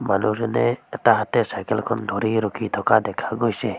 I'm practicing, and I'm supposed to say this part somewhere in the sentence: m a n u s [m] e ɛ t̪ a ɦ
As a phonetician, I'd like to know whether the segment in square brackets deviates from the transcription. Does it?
yes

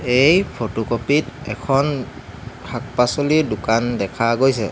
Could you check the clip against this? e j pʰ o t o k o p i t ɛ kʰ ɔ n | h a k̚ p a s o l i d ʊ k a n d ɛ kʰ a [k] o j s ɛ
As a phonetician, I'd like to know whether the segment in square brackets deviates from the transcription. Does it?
yes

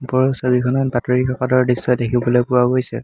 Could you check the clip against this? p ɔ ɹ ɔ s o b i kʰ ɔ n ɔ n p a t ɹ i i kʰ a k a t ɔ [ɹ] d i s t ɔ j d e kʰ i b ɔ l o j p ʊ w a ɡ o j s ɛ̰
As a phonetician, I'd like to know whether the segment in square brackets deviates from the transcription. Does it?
no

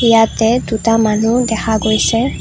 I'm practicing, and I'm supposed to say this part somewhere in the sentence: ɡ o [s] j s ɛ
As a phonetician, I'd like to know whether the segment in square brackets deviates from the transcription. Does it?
yes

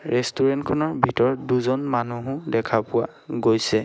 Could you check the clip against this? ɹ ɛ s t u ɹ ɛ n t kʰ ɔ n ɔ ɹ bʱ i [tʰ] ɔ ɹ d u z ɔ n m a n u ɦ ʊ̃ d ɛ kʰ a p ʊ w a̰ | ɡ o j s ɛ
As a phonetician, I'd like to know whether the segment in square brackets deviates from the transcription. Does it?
yes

